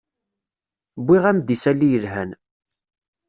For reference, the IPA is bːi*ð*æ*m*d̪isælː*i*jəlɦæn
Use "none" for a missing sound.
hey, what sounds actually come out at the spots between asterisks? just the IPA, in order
ʁ, m, i

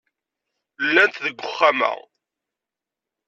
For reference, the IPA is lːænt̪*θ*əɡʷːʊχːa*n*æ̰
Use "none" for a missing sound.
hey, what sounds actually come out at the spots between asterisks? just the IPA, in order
ð, m

